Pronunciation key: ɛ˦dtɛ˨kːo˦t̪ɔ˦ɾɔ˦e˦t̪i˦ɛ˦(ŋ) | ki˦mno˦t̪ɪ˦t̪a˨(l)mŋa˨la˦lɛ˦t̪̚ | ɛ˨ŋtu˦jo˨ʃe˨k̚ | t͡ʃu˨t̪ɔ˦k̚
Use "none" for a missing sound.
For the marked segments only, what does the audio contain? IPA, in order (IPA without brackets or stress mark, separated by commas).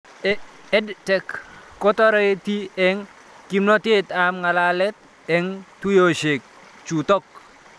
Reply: ŋ, none